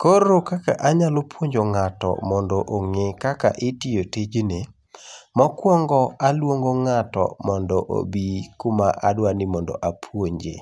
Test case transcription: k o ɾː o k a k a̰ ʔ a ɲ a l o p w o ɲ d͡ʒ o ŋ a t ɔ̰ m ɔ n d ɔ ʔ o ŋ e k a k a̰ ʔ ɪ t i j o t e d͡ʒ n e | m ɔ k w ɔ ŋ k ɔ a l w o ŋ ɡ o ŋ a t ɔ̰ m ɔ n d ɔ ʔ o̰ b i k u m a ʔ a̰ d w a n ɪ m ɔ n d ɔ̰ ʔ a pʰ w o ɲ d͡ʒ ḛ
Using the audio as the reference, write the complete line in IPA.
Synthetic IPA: k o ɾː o k a k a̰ ʔ a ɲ a l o p w o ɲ d͡ʒ o ŋ a t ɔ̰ m ɔ n d ɔ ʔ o ŋ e k a k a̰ ʔ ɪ t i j o t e d͡ʒ n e | m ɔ k w ɔ ŋ ɡ ɔ a l w o ŋ ɡ o ŋ a t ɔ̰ m ɔ n d ɔ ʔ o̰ b i k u m a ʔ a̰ d w a n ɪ m ɔ n d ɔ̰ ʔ a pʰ w o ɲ d͡ʒ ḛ